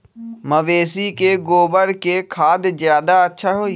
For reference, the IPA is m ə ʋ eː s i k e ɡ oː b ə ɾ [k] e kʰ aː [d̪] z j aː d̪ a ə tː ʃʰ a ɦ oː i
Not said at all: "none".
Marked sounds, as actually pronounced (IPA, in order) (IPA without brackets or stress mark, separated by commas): k, d̪